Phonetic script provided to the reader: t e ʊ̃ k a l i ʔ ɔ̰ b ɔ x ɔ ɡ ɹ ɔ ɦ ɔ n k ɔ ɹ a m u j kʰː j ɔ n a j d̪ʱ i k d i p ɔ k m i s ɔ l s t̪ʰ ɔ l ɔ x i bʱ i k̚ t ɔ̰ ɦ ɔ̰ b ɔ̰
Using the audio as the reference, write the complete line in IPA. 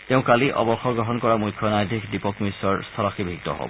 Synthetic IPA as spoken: t e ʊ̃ k a l i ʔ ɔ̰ b ɔ x ɔ ɡ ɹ ɔ ɦ ɔ n k ɔ ɹ a m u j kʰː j ɔ n a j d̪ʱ i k d i p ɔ k m i s ɔ ɹ s t̪ʰ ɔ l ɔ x i bʱ i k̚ t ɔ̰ ɦ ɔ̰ b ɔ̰